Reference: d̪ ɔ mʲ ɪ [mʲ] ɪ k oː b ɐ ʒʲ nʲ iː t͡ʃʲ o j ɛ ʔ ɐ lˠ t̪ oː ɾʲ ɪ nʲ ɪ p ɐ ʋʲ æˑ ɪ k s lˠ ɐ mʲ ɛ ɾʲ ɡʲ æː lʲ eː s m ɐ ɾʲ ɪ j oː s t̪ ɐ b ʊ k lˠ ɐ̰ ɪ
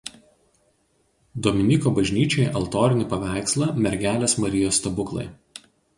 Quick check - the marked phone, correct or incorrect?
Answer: incorrect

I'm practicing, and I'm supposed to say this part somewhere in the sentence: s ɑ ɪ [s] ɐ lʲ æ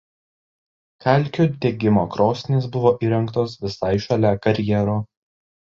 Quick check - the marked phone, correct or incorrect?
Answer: incorrect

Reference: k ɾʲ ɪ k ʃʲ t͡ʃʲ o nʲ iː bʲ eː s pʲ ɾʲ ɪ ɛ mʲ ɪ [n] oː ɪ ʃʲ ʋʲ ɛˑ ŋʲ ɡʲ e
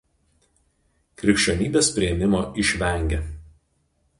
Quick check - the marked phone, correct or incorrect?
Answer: incorrect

